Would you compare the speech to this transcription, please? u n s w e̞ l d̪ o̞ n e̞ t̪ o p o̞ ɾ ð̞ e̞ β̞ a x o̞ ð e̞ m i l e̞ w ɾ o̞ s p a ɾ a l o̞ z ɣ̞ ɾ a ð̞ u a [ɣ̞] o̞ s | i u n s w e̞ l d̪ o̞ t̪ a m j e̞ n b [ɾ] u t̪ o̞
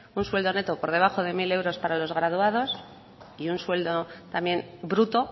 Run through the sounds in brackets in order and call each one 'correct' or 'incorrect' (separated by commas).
incorrect, correct